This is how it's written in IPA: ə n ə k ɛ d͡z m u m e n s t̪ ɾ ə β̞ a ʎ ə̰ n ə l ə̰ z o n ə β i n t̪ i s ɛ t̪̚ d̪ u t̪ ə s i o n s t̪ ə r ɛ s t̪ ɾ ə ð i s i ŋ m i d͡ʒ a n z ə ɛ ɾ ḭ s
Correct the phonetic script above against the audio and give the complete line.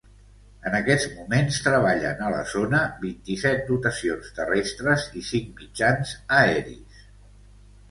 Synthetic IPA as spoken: ə n ə k ɛ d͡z m u m e n s t̪ ɾ ə β̞ a ʎ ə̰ n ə l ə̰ z o n ə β i n t̪ i s ɛ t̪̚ d̪ u t̪ ə s i o n s t̪ ə r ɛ s t̪ ɾ ə z i s i ŋ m i d͡ʒ a n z ə ɛ ɾ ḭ s